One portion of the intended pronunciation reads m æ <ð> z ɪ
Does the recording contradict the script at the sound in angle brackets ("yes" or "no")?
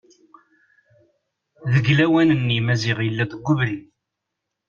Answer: yes